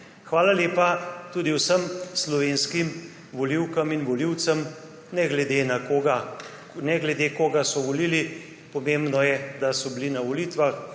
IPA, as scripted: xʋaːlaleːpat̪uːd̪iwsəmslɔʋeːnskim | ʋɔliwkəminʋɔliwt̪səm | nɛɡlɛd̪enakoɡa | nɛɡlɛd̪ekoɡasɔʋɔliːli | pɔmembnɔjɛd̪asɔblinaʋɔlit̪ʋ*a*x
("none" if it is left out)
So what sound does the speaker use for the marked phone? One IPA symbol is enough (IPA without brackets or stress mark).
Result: a